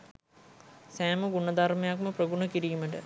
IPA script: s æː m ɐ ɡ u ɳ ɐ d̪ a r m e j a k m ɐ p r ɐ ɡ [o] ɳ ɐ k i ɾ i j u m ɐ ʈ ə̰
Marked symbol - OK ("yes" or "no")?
no